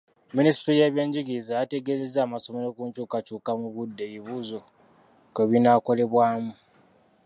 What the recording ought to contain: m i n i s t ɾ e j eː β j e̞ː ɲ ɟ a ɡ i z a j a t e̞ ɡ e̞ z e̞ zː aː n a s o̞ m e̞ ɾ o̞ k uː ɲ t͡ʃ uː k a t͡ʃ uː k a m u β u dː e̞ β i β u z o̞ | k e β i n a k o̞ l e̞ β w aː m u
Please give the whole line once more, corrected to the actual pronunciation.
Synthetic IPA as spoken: m i n i s t ɾ i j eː β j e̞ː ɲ ɟ i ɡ i z a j a t e̞ ɡ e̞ z e̞ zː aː m a s o̞ m e̞ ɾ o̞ k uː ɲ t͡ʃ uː k a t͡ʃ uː k a m u β u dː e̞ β i β u z o̞ | k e β i n a k o̞ l e̞ β w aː m u